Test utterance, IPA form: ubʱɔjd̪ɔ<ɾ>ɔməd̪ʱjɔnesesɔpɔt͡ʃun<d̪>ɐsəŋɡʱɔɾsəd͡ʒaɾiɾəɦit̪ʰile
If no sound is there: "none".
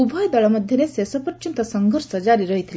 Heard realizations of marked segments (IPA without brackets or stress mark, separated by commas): ɭ, t̪